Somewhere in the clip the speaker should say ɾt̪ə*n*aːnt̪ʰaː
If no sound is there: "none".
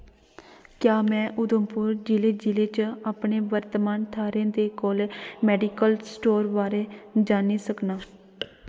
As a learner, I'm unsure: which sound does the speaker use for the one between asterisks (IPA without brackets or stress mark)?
m